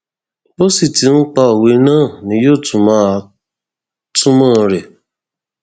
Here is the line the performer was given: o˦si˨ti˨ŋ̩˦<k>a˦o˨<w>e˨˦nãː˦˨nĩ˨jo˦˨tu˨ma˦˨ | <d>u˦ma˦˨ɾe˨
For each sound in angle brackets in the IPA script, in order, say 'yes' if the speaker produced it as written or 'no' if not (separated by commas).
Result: no, yes, no